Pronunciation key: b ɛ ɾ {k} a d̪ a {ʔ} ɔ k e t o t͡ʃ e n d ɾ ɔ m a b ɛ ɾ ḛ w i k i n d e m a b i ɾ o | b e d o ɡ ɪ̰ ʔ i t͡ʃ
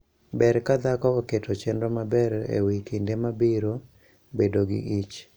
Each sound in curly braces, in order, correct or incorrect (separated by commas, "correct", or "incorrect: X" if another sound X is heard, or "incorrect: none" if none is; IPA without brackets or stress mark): correct, incorrect: k